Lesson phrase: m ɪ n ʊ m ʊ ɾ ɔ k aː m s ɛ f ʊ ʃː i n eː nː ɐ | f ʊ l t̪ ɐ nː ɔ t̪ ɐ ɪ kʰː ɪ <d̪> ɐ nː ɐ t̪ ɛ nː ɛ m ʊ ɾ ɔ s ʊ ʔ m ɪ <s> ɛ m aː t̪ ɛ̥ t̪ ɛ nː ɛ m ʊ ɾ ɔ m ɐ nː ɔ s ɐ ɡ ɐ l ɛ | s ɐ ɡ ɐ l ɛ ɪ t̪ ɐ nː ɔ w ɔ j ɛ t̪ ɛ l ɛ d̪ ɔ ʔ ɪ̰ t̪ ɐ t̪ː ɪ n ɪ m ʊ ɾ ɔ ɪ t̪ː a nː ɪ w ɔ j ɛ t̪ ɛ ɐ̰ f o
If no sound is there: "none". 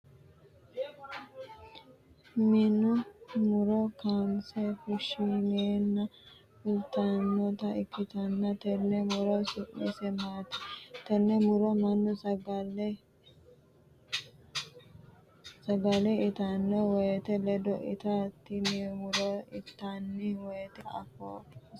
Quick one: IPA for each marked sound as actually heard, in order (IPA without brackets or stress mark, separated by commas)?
t̪, s